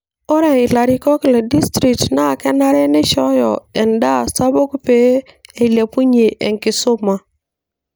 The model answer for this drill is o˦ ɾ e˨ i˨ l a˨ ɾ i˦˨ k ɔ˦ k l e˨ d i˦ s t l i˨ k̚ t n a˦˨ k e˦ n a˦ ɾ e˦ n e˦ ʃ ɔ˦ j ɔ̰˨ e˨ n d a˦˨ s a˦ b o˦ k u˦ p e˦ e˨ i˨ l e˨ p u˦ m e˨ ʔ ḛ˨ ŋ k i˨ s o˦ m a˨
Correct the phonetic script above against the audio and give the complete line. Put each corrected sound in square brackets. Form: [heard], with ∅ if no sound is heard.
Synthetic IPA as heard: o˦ ɾ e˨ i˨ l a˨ ɾ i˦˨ k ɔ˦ k l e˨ d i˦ s t [ɾ] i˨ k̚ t n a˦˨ k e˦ n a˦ ɾ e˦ n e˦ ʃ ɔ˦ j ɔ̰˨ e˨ n d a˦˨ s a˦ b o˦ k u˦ p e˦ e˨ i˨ l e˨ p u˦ [ɲ] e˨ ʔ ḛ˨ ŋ k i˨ s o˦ m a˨